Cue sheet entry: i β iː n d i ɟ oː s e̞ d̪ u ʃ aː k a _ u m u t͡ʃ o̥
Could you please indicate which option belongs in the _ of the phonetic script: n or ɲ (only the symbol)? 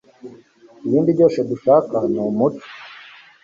n